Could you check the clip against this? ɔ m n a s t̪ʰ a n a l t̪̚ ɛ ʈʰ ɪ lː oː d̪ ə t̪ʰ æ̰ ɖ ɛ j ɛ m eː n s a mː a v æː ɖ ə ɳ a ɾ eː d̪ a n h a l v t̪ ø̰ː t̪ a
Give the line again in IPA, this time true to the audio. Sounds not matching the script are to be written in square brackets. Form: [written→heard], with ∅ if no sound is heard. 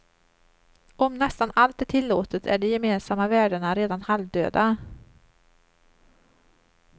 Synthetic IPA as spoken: ɔ m n [a→ɛ] s [t̪ʰ→t̪] a n a l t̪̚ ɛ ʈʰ ɪ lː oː [d̪→t̪] ə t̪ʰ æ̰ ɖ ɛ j ɛ m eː n s a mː a v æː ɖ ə ɳ a ɾ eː d̪ a n h a l v [t̪→d̪] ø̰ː [t̪→d̪] a